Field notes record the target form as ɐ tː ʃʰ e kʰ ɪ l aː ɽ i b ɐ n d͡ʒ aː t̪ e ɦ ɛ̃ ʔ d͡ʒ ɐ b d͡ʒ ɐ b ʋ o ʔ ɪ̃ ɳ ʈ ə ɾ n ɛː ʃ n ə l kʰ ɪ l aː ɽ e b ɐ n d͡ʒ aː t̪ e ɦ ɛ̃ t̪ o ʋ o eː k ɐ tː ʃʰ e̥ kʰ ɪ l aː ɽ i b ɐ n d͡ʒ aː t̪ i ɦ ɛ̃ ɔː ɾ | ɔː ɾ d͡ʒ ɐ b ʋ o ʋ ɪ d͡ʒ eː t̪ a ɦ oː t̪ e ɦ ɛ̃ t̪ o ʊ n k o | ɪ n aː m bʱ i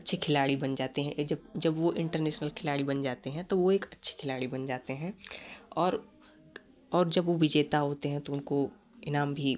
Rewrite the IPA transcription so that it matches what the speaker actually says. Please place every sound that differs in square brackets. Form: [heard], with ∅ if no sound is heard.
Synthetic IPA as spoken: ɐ tː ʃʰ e kʰ ɪ l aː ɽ i b ɐ n d͡ʒ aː t̪ e ɦ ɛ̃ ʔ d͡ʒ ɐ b d͡ʒ ɐ b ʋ o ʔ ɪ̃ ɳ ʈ ə ɾ n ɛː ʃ n ə l kʰ ɪ l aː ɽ [i] b ɐ n d͡ʒ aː t̪ e ɦ ɛ̃ t̪ o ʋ o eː k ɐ tː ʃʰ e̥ kʰ ɪ l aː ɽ i b ɐ n d͡ʒ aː t̪ [e] ɦ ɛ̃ ɔː ɾ | ɔː ɾ d͡ʒ ɐ b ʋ o ʋ ɪ d͡ʒ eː t̪ a ɦ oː t̪ e ɦ ɛ̃ t̪ o ʊ n k o | ɪ n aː m bʱ i